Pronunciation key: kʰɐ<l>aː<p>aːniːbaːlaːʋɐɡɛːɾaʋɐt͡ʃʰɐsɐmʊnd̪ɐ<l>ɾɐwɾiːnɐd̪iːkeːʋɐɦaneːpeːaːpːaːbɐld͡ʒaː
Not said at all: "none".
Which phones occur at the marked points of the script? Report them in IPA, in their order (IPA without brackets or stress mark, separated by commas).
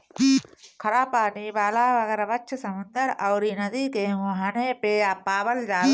ɾ, p, none